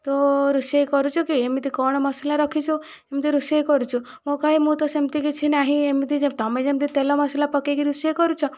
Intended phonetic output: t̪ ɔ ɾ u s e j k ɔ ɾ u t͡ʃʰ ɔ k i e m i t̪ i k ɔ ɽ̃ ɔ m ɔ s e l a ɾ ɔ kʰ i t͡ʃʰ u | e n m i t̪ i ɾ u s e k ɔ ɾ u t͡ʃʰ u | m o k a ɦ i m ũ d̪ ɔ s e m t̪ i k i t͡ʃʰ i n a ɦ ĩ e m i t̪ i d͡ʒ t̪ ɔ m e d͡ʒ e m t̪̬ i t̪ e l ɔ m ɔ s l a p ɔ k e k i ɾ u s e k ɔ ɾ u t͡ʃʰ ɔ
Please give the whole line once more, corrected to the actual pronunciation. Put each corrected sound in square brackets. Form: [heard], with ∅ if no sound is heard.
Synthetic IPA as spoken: t̪ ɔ ɾ u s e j k ɔ ɾ u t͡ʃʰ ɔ k i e m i t̪ i k ɔ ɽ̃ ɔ m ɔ s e l a ɾ ɔ kʰ i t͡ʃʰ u | e [∅] m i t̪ i ɾ u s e k ɔ ɾ u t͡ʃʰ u | m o k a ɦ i m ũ [t̪] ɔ s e m t̪ i k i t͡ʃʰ i n a ɦ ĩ e m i t̪ i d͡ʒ t̪ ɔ m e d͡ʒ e m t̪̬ i t̪ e l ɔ m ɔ s l a p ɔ k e k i ɾ u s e k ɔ ɾ u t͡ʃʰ ɔ

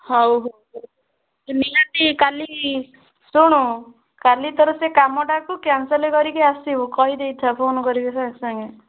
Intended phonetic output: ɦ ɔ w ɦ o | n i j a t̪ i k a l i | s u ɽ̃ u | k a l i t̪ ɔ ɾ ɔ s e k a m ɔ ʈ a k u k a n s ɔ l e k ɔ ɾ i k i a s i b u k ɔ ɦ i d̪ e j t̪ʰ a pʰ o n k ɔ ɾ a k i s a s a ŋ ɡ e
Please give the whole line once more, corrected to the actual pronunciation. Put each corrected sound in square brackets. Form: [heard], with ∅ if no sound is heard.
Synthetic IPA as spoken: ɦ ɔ w ɦ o | n i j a t̪ i k a l i | s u ɽ̃ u | k a l i t̪ ɔ ɾ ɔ s e k a m ɔ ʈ a k u k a n s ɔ l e k ɔ ɾ i k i a s i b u k ɔ ɦ i d̪ e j t̪ʰ a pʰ o n k ɔ ɾ [i] k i s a s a ŋ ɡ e

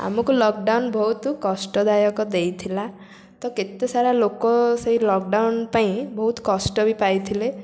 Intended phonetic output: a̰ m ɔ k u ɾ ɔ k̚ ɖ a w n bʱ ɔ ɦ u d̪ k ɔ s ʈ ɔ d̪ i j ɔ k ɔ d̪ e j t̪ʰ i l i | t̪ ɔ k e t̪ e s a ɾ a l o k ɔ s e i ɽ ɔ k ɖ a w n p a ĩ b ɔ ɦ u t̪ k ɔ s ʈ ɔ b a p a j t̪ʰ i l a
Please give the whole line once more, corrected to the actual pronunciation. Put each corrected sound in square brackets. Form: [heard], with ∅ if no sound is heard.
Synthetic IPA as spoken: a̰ m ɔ k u [l] ɔ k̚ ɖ a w n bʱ ɔ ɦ u [t̪] k ɔ s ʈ ɔ d̪ [a] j ɔ k ɔ d̪ e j t̪ʰ i l [a] | t̪ ɔ k e t̪ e s a ɾ a l o k ɔ s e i [l] ɔ k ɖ a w n p a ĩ b ɔ ɦ u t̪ k ɔ s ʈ ɔ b [i] p a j t̪ʰ i l [e]

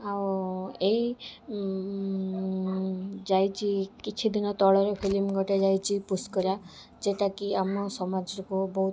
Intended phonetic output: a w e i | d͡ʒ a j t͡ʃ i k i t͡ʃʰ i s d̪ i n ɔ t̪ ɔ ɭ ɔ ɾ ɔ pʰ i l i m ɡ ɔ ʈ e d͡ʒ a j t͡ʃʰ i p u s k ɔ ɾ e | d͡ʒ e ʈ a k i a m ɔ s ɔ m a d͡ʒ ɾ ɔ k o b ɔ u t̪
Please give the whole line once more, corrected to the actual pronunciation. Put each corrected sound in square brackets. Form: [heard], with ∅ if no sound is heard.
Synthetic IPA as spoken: a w e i | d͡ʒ a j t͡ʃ i k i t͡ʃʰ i [∅] d̪ i n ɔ t̪ ɔ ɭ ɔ ɾ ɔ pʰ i l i m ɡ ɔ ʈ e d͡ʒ a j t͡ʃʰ i p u s k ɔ ɾ [a] | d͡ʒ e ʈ a k i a m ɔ s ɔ m a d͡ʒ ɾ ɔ k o b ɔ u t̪

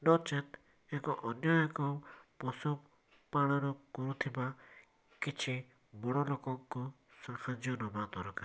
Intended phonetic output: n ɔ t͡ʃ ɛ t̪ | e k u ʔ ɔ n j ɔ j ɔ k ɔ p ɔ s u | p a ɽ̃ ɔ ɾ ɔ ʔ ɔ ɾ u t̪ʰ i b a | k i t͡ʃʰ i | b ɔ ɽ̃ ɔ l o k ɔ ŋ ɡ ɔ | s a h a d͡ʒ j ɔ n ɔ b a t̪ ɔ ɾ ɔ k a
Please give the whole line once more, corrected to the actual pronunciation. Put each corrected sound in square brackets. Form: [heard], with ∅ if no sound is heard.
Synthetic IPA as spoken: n ɔ t͡ʃ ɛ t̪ | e k [ɔ] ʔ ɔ n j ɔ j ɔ k ɔ p ɔ s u | p a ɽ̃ ɔ ɾ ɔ [k] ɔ ɾ u t̪ʰ i b a | k i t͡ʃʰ i | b ɔ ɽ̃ ɔ l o k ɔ ŋ [k] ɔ | s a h a d͡ʒ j ɔ n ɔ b a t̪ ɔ ɾ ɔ k a

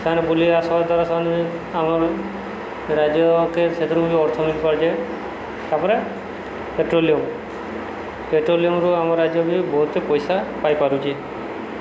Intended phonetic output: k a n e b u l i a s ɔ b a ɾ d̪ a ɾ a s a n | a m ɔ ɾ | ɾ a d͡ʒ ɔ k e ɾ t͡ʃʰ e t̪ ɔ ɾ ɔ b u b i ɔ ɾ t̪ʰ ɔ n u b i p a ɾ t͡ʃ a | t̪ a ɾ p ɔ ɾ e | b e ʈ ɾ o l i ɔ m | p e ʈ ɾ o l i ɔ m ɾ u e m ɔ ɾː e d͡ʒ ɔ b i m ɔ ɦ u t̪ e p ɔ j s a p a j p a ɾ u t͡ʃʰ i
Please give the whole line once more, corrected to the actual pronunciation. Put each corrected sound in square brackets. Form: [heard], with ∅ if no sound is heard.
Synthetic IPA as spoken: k a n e b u l i a s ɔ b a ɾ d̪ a ɾ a s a n | a m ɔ ɾ | ɾ a d͡ʒ ɔ k e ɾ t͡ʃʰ e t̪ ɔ ɾ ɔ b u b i ɔ ɾ t̪ʰ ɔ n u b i p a ɾ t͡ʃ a | t̪ a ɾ p ɔ ɾ e | [p] e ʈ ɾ o l i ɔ m | p e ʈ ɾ o l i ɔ m ɾ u [a] m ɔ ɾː [a] d͡ʒ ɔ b i [b] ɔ ɦ u t̪ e p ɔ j s a p a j p a ɾ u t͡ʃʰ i

